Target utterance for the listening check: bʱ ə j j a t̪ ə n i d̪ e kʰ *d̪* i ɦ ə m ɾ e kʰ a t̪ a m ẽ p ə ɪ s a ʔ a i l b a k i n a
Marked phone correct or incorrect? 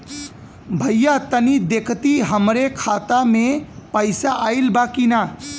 incorrect